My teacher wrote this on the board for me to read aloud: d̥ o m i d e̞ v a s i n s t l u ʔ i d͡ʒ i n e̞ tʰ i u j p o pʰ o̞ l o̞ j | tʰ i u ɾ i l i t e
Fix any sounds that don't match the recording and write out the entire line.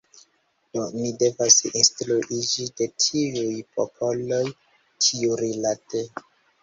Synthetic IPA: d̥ o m i d e̞ v a s i n s t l u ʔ i d͡ʒ i d e̞ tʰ i u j p o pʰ o̞ l o̞ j | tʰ i u ɾ i l a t e